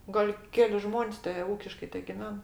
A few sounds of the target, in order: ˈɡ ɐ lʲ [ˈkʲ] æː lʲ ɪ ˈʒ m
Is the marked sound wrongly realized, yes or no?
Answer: no